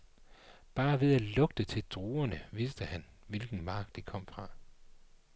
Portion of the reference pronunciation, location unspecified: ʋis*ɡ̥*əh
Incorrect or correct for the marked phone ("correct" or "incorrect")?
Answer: incorrect